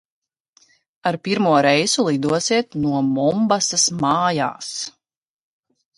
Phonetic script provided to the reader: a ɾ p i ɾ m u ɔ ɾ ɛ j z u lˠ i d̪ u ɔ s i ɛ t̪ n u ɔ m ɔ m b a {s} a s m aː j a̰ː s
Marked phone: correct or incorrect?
correct